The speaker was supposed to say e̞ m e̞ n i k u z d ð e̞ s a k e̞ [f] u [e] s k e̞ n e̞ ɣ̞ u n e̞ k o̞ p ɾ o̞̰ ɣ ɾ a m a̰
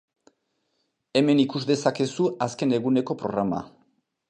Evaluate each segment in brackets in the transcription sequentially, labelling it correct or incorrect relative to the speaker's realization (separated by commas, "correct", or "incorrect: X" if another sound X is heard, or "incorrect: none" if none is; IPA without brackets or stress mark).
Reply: incorrect: s, incorrect: a